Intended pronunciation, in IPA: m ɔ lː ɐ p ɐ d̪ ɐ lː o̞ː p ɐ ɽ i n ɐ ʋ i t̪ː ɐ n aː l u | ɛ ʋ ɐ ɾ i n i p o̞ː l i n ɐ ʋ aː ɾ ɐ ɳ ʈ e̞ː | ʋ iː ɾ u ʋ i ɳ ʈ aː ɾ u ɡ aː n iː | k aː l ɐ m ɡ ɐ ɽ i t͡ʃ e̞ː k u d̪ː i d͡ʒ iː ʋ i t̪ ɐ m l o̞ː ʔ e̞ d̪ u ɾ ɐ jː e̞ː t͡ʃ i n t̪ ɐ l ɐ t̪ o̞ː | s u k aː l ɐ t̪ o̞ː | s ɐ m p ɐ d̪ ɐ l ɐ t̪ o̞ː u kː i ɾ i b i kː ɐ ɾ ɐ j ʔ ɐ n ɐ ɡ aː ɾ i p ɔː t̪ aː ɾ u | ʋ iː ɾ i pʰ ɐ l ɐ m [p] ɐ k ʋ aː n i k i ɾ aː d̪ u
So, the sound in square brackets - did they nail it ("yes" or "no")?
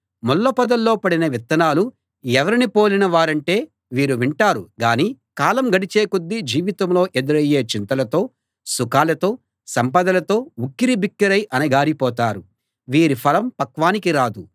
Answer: yes